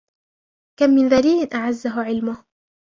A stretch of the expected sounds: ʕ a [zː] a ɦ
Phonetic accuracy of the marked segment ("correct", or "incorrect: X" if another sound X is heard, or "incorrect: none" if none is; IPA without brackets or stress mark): correct